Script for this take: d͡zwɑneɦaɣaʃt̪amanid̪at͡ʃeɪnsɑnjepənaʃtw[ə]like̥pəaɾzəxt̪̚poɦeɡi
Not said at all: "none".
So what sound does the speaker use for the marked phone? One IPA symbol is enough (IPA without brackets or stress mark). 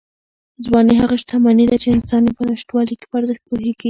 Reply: ɑ